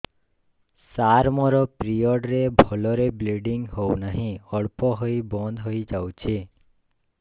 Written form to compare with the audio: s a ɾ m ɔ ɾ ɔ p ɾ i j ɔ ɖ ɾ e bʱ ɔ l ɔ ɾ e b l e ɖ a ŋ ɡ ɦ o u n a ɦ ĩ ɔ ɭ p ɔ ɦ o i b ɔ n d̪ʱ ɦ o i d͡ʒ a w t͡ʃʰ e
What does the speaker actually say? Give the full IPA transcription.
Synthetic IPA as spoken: s a ɾ m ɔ ɾ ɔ p ɾ i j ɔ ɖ ɾ e bʱ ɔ l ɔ ɾ e b l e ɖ i ŋ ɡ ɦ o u n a ɦ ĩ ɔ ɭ p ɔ ɦ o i b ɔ n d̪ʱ ɦ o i d͡ʒ a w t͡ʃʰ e